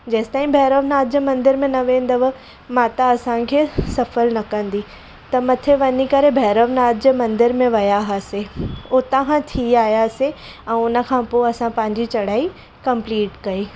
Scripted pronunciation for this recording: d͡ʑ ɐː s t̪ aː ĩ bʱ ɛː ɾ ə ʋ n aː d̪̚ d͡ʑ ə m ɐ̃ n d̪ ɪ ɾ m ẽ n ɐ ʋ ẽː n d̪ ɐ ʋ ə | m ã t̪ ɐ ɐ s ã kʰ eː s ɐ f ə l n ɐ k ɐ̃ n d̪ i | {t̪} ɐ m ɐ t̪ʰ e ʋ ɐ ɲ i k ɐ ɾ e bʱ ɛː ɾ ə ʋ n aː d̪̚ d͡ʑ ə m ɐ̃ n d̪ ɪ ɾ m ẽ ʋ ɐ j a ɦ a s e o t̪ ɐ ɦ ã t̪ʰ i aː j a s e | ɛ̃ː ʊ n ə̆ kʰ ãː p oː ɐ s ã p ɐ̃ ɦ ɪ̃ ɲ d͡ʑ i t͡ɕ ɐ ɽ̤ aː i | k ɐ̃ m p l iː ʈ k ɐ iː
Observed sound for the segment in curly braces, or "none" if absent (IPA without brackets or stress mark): t̪